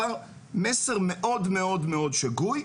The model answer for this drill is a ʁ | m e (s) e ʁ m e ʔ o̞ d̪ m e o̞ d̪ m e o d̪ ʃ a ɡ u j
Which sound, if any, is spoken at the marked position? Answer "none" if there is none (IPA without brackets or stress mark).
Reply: s